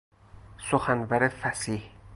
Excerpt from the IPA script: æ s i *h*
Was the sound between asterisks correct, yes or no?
yes